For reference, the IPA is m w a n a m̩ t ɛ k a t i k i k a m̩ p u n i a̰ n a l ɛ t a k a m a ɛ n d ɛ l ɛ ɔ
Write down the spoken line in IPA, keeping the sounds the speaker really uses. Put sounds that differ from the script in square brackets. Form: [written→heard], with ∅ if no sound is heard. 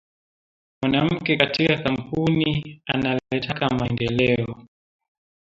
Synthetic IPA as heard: m w a n a m̩ [t→k] ɛ k a t i k [i→a] k a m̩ p u n i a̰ n a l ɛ t a k a m a ɛ n d ɛ l ɛ ɔ